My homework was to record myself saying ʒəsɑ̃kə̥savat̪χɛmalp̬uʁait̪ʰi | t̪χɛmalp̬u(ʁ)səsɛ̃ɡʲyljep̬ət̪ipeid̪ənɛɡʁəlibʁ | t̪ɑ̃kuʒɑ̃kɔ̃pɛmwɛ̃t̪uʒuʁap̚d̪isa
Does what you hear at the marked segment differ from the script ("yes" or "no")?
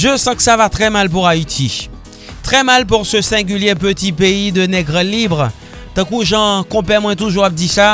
no